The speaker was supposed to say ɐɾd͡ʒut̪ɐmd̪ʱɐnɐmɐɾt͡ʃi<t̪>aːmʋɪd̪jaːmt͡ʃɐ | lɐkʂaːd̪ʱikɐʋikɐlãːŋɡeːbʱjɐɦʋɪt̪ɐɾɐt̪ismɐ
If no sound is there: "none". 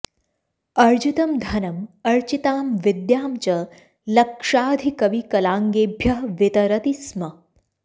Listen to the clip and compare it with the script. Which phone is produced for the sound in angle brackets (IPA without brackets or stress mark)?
t̪